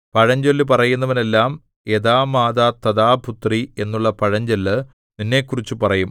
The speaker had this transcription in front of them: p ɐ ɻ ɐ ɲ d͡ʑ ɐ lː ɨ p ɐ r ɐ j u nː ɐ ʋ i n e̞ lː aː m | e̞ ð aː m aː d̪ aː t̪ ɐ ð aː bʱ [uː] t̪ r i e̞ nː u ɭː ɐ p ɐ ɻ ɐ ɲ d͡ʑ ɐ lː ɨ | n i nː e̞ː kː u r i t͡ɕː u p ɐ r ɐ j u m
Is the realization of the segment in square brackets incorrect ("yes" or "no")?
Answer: yes